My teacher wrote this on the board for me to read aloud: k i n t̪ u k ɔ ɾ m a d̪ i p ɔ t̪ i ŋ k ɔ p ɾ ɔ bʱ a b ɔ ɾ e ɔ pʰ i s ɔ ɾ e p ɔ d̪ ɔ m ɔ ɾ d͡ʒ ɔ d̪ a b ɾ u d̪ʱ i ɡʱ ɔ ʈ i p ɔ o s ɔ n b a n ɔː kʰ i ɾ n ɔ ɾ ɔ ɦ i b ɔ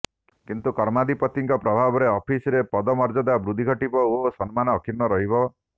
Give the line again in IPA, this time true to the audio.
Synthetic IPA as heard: k i n t̪ u k ɔ ɾ m a d̪ i p ɔ t̪ i ŋ k ɔ p ɾ ɔ bʱ a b ɔ ɾ e ɔ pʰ i s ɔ ɾ e p ɔ d̪ ɔ m ɔ ɾ d͡ʒ ɔ d̪ a b ɾ u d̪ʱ i ɡʱ ɔ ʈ i p ɔ o s ɔ n m a n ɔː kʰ i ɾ n ɔ ɾ ɔ ɦ i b ɔ

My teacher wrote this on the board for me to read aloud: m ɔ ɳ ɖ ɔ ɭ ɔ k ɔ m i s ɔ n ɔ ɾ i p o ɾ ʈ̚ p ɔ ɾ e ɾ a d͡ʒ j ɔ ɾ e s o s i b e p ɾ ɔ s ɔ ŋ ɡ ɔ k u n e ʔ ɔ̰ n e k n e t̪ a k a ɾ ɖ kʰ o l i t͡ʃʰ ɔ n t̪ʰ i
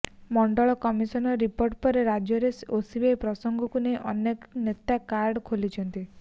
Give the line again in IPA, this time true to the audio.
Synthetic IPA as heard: m ɔ ɳ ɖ ɔ ɭ ɔ k ɔ m i s ɔ n ɔ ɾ i p o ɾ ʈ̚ p ɔ ɾ e ɾ a d͡ʒ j ɔ ɾ e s o s i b e p ɾ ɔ s ɔ ŋ ɡ ɔ k u n e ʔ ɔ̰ n e k n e t̪ a k a ɾ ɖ kʰ o l i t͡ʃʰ ɔ n t̪ i

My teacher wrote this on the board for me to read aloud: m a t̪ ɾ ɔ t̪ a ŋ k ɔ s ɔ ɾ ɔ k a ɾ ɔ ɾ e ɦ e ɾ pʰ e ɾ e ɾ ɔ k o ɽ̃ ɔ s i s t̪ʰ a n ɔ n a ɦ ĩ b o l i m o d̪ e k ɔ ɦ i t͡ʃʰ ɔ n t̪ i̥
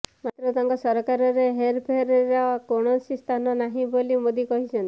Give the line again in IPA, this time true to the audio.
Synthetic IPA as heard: m a t̪ ɾ ɔ t̪ a ŋ k ɔ s ɔ ɾ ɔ k a ɾ ɔ ɾ e ɦ e ɾ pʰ e ɾ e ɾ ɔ k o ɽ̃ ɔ s i s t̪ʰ a n ɔ n a ɦ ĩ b o l i m o d̪ i k ɔ ɦ i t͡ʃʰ ɔ n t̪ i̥

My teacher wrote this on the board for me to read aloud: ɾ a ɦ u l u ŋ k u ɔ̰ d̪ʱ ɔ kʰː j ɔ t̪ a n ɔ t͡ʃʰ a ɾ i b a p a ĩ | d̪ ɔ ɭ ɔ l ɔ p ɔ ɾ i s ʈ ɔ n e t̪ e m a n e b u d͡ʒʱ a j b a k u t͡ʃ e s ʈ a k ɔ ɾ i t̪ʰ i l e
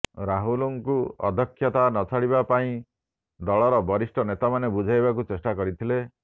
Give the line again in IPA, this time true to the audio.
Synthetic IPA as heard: ɾ a ɦ u l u ŋ k u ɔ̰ d̪ʱ ɔ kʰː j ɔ t̪ a n ɔ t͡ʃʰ a ɽ i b a p a ĩ | d̪ ɔ ɭ ɔ ɾ ɔ b ɔ ɾ i s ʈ ɔ n e t̪ a m a n e b u d͡ʒʱ a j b a k u t͡ʃ e s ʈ a k ɔ ɾ i t̪ʰ i l e

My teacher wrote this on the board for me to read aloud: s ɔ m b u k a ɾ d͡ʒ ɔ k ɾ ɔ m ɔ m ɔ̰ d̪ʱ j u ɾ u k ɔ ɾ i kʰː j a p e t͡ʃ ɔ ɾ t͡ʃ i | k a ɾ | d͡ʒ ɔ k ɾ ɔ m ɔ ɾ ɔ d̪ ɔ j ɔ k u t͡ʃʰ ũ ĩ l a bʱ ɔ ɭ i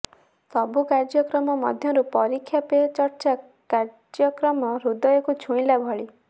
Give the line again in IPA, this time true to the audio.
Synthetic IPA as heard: s ɔ b u k a ɾ d͡ʒ ɔ k ɾ ɔ m ɔ m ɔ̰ d̪ʱ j ɔ ɾ u p ɔ ɾ i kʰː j a p e t͡ʃ ɔ ɾ t͡ʃ a | k a ɾ | d͡ʒ ɔ k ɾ ɔ m ɔ ɾ u d̪ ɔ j ɔ k u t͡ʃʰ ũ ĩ l a bʱ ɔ ɭ i

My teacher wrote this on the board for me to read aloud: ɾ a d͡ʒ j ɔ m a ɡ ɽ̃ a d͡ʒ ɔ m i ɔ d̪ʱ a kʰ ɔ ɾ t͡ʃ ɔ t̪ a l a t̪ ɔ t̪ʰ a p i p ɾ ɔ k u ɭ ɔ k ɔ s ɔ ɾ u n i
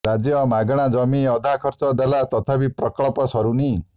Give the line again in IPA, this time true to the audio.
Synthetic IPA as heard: ɾ a d͡ʒ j ɔ m a ɡ ɽ̃ a d͡ʒ ɔ m i ɔ d̪ʱ a kʰ ɔ ɾ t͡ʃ ɔ d̪ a l a t̪ ɔ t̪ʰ a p i p ɾ ɔ k ɔ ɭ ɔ p ɔ s ɔ ɾ u n i

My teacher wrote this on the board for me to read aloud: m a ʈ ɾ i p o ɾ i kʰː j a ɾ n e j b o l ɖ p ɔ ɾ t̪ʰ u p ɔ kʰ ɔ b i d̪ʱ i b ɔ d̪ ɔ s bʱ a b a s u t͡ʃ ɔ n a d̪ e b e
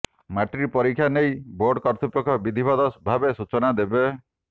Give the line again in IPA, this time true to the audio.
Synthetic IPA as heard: m a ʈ ɾ i p ɔ ɾ i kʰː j a n e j b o ɾ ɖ k ɔ ɾ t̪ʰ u p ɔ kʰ ɔ b i d̪ʱ i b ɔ d̪ ɔ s bʱ a b e s u t͡ʃ ɔ n a d̪ e b e

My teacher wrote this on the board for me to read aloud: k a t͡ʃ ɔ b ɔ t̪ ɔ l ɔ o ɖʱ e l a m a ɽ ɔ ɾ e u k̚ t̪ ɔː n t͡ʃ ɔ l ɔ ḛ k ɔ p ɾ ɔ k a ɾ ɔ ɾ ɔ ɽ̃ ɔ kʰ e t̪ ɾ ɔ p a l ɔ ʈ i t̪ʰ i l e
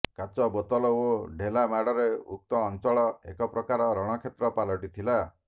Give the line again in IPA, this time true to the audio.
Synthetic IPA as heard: k a t͡ʃ ɔ b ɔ t̪ ɔ l ɔ o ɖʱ e l a m a ɽ ɔ ɾ e u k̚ t̪ ɔː n t͡ʃ ɔ ɭ ɔ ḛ k ɔ p ɾ ɔ k a ɾ ɔ ɾ ɔ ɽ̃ ɔ kʰ e t̪ ɾ ɔ p a l ɔ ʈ i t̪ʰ i l a

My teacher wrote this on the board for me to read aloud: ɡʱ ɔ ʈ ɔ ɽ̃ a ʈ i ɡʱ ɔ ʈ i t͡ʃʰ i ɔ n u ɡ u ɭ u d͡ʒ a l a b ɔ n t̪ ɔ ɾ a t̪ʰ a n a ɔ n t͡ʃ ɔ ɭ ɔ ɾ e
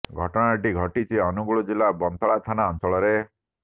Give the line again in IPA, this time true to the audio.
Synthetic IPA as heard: ɡʱ ɔ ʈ ɔ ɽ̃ a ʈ i ɡʱ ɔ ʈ i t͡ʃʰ i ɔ n u ɡ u ɭ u d͡ʒ i l a b ɔ n t̪ ɔ ɭ a t̪ʰ a n a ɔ n t͡ʃ ɔ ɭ ɔ ɾ e

